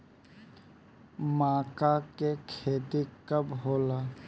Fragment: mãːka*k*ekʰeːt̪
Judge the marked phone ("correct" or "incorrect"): correct